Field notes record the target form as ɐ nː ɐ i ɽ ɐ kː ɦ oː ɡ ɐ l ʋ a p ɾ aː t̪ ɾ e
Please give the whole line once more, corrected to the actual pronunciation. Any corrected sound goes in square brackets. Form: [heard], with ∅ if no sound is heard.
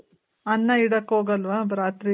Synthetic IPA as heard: ɐ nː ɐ i ɽ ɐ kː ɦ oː ɡ ɐ l ʋ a [b] ɾ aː t̪ ɾ [i]